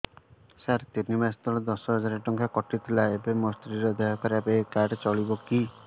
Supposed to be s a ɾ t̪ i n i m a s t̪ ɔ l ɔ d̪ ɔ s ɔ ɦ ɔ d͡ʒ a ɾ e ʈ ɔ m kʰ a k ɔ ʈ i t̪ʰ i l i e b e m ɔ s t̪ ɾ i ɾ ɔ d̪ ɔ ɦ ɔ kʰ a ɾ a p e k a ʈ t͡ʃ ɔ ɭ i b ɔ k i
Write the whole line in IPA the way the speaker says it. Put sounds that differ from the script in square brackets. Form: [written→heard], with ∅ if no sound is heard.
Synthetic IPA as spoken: s a ɾ t̪ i n i m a s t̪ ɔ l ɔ d̪ ɔ s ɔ ɦ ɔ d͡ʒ a ɾ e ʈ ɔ [m→ŋ] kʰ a k ɔ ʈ i t̪ʰ i l [i→a] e b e m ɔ s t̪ ɾ i ɾ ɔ d̪ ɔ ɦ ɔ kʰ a ɾ a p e k a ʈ t͡ʃ ɔ ɭ i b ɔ k i